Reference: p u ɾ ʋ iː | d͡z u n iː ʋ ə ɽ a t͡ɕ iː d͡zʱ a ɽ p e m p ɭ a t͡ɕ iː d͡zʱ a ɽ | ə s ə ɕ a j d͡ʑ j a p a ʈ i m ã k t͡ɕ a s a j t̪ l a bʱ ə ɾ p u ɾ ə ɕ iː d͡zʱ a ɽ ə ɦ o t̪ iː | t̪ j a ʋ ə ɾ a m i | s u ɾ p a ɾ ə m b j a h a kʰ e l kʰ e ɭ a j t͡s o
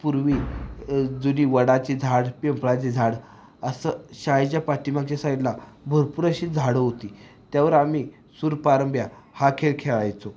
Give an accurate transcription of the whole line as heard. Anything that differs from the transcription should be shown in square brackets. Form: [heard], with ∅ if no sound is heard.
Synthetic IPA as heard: p u ɾ ʋ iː | d͡z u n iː ʋ ə ɽ a t͡ɕ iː d͡zʱ a ɽ p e m p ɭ a t͡ɕ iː d͡zʱ a ɽ | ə s ə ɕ a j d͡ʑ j a p a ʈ i m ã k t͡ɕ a s a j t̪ l a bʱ ə ɾ p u ɾ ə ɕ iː d͡zʱ a ɽ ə ɦ o t̪ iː | t̪ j a ʋ ə ɾ a m i | s u ɾ p a ɾ ə m b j a h a kʰ e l kʰ e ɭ a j t͡s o